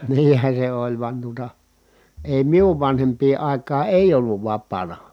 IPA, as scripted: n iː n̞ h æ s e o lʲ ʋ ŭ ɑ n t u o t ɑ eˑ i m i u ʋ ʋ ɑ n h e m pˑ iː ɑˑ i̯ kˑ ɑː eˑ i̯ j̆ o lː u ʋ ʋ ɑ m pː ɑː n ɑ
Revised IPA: n iː n̞ h æ s e o lʲ ʋ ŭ ɑ n t u o t ɑ eˑ i m i u ʋ ʋ ɑ n h e m pˑ iː ɑˑ i̯ kˑ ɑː eˑ i̯ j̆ o lː u ʋ ʋ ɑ pː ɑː n ɑ